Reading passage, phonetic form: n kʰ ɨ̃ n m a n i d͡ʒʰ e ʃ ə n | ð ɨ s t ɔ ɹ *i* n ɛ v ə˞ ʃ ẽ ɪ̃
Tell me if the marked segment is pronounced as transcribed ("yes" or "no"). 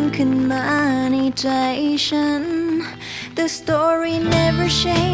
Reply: yes